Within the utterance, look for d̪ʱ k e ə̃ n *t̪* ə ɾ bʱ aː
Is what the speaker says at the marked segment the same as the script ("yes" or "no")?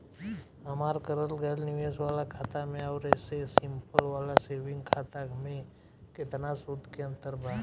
yes